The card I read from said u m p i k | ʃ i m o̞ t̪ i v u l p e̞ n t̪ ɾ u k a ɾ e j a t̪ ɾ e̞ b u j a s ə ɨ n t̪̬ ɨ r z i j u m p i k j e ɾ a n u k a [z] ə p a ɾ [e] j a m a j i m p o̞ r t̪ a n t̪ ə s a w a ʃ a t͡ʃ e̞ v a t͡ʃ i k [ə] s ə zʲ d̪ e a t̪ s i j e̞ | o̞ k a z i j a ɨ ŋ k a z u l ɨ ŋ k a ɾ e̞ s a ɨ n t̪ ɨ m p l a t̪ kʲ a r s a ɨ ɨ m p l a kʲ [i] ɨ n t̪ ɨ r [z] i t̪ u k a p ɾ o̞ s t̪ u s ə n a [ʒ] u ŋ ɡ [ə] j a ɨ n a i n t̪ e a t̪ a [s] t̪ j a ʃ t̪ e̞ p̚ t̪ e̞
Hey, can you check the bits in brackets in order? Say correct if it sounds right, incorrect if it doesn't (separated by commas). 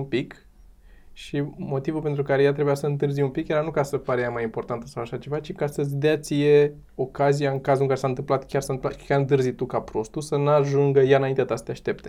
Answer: incorrect, correct, incorrect, incorrect, correct, correct, correct, correct